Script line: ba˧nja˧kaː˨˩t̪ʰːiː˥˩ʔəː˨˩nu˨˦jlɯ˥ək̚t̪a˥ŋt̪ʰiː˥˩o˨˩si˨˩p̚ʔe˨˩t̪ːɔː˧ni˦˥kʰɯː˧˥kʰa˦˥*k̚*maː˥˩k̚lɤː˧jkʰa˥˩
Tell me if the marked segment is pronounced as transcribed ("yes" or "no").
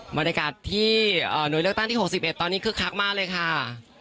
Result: yes